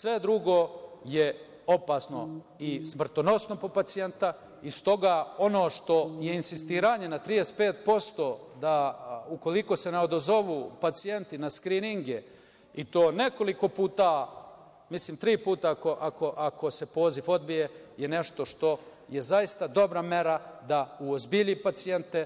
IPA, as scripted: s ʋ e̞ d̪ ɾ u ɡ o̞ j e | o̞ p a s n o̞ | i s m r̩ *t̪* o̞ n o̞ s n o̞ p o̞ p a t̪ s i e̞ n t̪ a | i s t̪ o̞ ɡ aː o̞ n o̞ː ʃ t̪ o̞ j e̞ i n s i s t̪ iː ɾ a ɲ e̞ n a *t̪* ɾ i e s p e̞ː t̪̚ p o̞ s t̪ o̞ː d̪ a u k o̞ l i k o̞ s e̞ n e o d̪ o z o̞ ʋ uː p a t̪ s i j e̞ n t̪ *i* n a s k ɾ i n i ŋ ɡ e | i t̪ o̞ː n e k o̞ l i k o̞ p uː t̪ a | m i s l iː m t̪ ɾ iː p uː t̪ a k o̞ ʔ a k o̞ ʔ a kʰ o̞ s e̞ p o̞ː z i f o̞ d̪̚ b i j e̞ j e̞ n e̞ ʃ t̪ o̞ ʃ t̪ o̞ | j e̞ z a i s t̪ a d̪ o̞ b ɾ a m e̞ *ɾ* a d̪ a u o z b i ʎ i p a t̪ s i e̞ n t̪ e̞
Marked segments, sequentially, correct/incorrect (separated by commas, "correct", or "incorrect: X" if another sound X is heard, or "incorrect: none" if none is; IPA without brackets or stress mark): correct, correct, correct, correct